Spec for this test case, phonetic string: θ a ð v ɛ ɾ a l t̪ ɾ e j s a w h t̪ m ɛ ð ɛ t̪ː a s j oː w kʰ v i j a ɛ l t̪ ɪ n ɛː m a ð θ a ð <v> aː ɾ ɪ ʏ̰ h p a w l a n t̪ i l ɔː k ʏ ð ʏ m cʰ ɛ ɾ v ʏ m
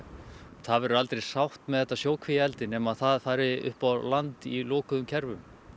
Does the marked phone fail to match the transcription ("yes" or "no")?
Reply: yes